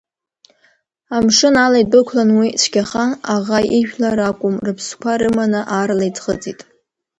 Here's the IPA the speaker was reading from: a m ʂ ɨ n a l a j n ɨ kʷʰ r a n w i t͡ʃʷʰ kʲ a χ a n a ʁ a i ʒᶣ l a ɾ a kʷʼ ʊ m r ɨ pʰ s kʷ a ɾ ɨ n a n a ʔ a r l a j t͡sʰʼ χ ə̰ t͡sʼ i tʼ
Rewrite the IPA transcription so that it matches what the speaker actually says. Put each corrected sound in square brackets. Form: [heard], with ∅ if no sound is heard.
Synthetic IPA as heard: a m ʂ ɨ n a l a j [d] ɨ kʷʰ [l] a n w i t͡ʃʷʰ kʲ a χ a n a ʁ a i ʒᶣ l a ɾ a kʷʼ ʊ m r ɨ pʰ s kʷ a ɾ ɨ [m] a n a ʔ a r l a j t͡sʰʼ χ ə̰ t͡sʼ i tʼ